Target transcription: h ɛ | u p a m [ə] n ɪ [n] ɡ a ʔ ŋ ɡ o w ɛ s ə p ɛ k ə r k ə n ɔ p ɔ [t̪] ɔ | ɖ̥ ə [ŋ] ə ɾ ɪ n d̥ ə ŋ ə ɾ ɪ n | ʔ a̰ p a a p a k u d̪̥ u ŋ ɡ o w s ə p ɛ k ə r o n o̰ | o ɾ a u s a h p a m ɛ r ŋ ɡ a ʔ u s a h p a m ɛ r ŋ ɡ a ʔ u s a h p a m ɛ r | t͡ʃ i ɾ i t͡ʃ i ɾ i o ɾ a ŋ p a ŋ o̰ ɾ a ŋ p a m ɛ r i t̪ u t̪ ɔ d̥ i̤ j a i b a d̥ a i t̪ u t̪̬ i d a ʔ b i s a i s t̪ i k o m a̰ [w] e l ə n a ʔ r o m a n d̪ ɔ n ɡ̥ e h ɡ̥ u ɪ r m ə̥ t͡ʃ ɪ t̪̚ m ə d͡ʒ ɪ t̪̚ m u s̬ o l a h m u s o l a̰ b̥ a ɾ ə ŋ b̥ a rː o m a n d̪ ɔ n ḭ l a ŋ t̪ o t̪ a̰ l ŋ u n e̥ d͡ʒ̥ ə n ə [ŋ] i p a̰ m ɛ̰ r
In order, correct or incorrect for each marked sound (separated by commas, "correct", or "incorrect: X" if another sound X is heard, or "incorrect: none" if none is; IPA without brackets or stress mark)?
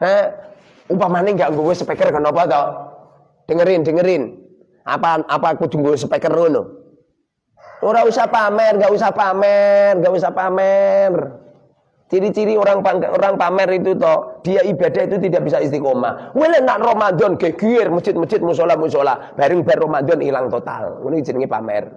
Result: incorrect: a, incorrect: ŋ, correct, correct, correct, correct